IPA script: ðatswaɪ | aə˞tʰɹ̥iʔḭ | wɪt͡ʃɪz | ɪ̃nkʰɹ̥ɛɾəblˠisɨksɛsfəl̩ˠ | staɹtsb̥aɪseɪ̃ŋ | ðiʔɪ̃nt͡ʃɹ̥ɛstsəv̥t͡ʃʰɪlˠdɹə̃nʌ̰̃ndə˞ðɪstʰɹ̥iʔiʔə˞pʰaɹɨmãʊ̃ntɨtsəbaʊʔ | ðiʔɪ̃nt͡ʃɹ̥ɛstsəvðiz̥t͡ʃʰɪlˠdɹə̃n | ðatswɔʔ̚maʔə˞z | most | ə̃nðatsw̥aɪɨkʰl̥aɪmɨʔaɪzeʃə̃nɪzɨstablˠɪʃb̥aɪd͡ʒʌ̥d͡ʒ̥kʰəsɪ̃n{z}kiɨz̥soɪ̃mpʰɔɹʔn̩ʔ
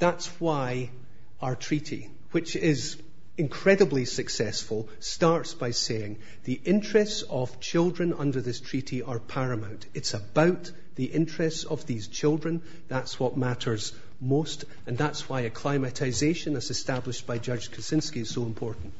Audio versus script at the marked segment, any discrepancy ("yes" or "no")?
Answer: yes